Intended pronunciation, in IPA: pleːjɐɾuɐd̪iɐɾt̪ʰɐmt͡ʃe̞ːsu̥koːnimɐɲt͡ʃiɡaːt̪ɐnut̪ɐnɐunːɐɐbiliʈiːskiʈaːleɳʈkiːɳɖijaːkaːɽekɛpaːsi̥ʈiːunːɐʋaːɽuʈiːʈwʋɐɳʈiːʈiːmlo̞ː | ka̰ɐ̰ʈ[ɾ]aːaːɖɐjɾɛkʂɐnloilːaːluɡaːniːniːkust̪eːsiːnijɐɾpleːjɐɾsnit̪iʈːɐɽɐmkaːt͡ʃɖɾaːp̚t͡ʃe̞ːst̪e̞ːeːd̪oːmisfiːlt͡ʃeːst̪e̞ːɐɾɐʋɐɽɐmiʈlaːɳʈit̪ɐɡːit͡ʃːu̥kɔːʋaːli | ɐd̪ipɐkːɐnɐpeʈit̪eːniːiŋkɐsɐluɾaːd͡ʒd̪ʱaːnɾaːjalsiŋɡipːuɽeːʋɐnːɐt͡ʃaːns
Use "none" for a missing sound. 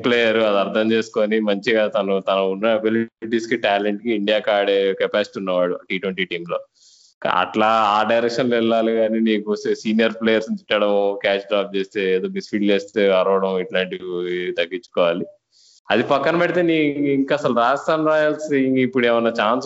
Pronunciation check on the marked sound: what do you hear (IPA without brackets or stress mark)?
l